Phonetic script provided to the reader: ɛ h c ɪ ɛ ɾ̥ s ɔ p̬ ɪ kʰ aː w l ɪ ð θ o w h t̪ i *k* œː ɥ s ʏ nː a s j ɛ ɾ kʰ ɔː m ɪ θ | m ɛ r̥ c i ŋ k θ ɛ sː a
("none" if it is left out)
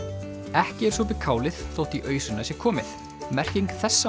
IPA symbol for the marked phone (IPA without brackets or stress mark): ʔ